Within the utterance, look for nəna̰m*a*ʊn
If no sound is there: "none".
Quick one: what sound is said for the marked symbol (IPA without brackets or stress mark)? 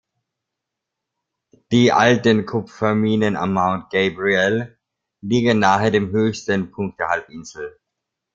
a